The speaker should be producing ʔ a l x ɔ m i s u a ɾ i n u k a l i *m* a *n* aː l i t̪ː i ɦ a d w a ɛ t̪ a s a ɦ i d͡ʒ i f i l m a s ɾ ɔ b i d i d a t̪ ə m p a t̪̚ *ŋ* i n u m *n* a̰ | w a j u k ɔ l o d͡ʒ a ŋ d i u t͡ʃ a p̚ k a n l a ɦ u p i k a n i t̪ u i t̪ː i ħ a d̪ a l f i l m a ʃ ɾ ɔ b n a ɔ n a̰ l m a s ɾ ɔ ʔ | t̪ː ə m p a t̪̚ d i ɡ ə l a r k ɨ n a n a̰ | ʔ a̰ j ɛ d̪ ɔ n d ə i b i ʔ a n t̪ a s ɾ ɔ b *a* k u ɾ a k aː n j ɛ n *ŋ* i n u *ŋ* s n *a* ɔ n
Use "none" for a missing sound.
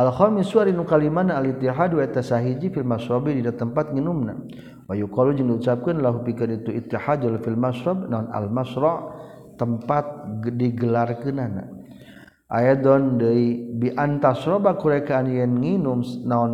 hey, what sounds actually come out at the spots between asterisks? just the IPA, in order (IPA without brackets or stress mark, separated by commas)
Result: m, n, ŋ, n, a, ŋ, m, a